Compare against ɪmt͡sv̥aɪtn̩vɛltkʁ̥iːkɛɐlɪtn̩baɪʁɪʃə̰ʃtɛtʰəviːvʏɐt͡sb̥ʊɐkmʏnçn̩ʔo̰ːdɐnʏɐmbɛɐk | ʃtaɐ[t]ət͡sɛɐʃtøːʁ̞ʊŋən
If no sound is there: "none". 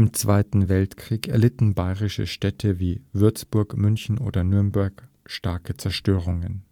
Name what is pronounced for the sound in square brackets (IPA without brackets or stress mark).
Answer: k